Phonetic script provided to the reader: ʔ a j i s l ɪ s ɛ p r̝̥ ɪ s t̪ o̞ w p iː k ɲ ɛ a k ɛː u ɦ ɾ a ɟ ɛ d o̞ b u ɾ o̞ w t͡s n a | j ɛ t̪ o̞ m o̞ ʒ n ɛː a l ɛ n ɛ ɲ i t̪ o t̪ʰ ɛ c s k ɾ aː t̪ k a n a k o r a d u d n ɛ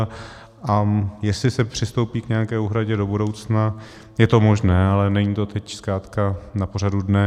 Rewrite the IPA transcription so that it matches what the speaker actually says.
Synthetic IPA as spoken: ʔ a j ɛ s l ɪ s ɛ p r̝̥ ɪ s t̪ o̞ w p iː k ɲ ɛ a k ɛː u ɦ ɾ a ɟ ɛ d o̞ b u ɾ o̞ w t͡s n a | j ɛ t̪ o̞ m o̞ ʒ n ɛː a l ɛ n ɛ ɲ i t̪ o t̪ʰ ɛ c s k ɾ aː t̪ k a n a p o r a d u d n ɛ